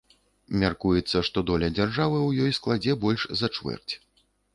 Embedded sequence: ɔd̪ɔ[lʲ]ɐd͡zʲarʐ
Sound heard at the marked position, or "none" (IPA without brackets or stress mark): lʲ